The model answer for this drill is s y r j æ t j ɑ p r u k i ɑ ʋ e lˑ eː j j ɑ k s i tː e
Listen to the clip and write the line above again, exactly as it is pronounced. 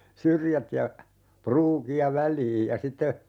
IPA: s y r j æ t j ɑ p r uː k i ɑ ʋ æ lˑ iː j j ɑ s i tː e